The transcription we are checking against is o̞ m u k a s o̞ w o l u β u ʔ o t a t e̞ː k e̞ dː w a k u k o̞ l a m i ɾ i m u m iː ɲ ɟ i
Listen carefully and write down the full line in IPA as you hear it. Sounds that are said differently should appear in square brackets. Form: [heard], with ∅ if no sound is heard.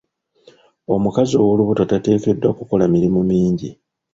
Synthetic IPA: o̞ m u k a [z] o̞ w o l u β u [t] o t a t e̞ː k e̞ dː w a k u k o̞ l a m i ɾ i m u m iː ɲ ɟ i